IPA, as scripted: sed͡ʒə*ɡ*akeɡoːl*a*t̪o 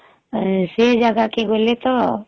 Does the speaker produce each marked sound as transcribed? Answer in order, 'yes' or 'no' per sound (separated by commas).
yes, no